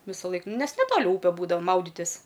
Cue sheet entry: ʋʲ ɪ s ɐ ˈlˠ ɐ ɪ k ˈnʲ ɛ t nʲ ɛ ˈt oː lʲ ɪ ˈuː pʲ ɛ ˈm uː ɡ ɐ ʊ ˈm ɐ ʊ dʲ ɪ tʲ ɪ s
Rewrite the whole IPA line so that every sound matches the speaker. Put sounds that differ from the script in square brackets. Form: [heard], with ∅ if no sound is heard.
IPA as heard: ʋʲ ɪ s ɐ ˈlˠ ɐ ɪ k ˈnʲ ɛ [s] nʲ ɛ ˈt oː lʲ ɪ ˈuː pʲ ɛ [ˈb] uː [d] ɐ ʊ ˈm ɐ ʊ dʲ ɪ tʲ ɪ s